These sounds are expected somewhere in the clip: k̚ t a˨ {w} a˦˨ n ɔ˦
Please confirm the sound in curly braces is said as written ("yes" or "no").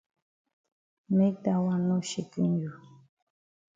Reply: yes